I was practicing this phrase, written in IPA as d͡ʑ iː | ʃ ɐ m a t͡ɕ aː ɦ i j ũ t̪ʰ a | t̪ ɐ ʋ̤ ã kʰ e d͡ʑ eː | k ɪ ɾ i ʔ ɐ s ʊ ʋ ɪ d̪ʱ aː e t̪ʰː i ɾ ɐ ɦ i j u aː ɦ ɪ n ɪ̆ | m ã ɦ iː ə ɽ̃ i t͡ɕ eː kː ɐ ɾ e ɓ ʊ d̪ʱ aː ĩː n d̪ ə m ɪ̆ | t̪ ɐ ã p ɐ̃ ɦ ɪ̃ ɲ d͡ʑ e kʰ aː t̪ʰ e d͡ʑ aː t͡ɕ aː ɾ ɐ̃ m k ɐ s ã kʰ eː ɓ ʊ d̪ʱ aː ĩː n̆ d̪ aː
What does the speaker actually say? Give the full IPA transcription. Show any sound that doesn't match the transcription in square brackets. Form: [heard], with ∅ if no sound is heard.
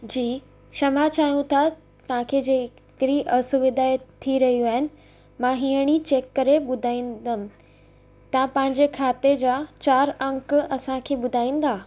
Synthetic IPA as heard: d͡ʑ iː | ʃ ɐ m a t͡ɕ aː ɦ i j ũ t̪ʰ a | t̪ ɐ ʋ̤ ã kʰ e d͡ʑ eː | k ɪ ɾ i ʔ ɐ s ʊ ʋ ɪ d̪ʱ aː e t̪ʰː i ɾ ɐ ɦ i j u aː ɦ ɪ n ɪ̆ | m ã ɦ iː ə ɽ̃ i t͡ɕ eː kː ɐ ɾ e ɓ ʊ d̪ʱ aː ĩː n d̪ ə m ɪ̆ | t̪ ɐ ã p ɐ̃ ɦ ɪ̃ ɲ d͡ʑ e kʰ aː [t̪] e d͡ʑ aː t͡ɕ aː ɾ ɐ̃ [ŋ] k ɐ s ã kʰ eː ɓ ʊ d̪ʱ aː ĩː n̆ d̪ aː